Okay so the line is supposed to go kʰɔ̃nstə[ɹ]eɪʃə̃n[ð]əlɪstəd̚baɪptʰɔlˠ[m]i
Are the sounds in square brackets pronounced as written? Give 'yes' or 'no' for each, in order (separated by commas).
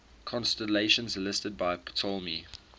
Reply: no, no, yes